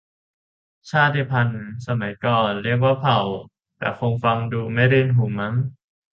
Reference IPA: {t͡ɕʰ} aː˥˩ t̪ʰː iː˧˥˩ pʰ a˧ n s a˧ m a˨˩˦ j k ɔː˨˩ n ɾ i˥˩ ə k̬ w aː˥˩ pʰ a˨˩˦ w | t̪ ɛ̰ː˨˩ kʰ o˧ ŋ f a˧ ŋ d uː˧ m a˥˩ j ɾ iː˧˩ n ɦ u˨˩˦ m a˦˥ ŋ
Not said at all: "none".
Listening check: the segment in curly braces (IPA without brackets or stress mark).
t͡ɕʰ